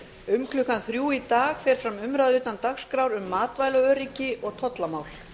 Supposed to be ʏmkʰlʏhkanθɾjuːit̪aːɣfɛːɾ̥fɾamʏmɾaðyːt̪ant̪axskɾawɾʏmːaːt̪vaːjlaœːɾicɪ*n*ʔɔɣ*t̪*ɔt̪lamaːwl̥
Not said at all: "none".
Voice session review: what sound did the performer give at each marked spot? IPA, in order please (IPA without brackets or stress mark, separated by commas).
none, t̪ʰ